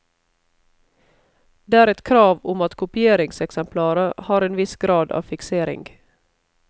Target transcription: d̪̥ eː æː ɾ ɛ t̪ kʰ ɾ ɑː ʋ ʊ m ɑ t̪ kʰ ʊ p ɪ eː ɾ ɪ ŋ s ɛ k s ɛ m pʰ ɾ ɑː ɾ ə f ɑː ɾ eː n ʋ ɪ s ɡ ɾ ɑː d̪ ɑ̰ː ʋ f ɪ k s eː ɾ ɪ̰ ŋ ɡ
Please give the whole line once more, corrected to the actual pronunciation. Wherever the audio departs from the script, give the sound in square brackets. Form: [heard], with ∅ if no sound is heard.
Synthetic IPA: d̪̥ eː æː ɾ ɛ t̪ kʰ ɾ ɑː ʋ ʊ m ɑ t̪ kʰ ʊ p ɪ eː ɾ ɪ ŋ s ɛ k s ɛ m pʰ [l] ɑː ɾ ə [h] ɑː ɾ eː n ʋ ɪ s ɡ ɾ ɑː d̪ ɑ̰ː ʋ f ɪ k s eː ɾ ɪ̰ ŋ ɡ